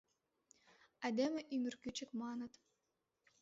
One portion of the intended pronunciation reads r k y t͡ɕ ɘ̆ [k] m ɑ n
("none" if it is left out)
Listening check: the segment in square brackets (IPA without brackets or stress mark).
k